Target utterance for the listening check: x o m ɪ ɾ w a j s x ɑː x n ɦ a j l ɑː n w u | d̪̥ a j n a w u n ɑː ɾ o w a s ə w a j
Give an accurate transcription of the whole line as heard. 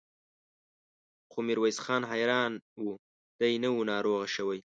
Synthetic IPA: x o m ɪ ɾ w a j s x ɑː n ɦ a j ɾ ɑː n w u | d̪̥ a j n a w u n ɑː ɾ o ɣ a ʃ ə w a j